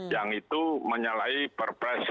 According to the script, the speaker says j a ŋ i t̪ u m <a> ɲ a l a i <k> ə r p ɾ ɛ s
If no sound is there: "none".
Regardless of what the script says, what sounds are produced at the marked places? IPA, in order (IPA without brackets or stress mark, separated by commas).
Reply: ə, p